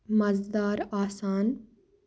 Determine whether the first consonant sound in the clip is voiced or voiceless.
voiced